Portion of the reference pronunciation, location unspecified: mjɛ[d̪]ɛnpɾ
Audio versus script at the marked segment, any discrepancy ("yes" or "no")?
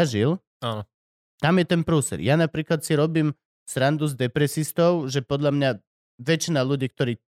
yes